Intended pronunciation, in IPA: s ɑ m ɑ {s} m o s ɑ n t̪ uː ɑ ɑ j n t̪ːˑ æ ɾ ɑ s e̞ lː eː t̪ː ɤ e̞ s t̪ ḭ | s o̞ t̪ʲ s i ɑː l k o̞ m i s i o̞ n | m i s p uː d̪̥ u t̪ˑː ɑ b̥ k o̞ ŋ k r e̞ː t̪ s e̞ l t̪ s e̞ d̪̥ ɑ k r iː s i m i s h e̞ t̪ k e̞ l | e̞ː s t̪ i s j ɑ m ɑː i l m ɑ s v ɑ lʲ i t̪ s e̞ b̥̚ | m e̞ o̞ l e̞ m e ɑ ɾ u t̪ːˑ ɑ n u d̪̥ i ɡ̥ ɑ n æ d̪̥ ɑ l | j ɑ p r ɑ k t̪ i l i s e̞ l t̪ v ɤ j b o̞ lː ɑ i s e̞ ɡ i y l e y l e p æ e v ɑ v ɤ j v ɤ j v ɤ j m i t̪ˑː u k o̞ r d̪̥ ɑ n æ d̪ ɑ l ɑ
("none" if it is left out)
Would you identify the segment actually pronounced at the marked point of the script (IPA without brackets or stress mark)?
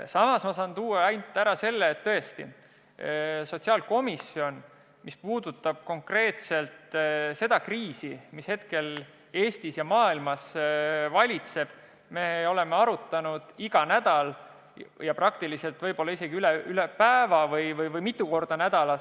s